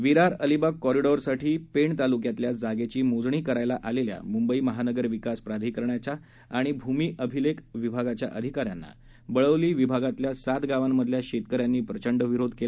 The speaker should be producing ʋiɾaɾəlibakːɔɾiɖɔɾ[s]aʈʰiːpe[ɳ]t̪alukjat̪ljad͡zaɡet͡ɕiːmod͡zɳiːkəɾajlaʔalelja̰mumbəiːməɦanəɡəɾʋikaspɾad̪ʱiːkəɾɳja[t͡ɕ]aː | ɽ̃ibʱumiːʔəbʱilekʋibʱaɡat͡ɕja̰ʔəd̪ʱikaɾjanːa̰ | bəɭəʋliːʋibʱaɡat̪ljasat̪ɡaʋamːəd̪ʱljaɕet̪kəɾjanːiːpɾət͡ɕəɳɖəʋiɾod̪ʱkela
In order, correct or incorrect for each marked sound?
correct, correct, correct

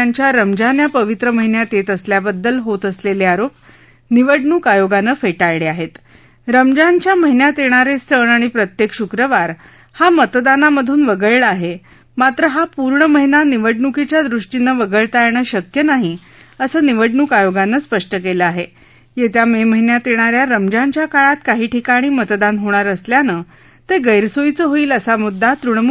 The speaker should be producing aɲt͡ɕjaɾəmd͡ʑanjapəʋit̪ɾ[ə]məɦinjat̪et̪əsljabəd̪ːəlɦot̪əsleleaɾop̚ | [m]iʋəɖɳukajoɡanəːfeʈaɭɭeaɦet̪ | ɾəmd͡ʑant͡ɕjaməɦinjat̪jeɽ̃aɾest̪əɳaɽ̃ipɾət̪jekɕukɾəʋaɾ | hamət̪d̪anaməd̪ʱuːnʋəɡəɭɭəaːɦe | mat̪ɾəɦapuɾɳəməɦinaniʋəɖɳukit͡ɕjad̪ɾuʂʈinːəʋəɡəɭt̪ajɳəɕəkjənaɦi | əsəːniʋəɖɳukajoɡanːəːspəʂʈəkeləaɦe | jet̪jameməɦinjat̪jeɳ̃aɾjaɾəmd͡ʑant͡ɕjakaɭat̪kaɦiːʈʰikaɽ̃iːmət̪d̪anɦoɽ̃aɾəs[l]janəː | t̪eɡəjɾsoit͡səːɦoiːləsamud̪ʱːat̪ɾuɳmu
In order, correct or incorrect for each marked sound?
correct, incorrect, correct

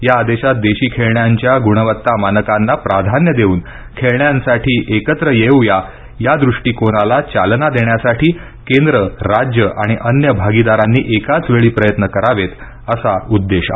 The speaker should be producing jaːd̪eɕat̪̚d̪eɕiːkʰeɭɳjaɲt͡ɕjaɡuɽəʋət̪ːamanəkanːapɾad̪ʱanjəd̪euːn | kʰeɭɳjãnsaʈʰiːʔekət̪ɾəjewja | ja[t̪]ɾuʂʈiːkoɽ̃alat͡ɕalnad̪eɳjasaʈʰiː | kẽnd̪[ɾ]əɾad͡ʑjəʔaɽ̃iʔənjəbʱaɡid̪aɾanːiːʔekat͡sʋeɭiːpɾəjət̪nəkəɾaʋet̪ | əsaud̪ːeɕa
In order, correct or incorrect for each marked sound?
incorrect, correct

